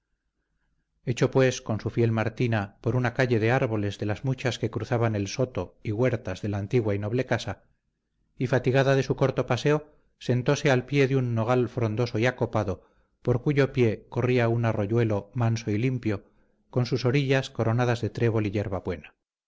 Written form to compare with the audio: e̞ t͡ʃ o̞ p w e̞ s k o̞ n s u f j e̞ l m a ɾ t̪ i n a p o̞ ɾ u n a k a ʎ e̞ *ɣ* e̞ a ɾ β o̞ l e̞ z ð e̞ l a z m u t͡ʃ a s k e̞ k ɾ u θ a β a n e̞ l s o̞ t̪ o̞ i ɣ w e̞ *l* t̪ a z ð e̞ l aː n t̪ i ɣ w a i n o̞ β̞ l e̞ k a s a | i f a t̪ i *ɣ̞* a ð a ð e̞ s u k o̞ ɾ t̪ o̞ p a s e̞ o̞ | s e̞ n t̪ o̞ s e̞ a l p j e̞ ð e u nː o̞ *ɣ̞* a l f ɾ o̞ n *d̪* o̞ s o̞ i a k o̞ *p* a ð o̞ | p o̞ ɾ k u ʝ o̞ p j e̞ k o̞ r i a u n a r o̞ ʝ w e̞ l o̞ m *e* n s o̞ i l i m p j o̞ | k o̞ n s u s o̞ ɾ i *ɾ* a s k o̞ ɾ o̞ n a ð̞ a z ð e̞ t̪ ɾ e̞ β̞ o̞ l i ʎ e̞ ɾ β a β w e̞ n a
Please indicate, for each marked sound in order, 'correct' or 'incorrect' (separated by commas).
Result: incorrect, incorrect, correct, correct, correct, correct, incorrect, incorrect